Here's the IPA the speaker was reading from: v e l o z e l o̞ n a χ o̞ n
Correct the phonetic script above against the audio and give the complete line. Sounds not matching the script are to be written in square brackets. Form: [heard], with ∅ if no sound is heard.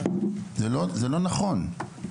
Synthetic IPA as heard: [z] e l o z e l o̞ n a χ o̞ n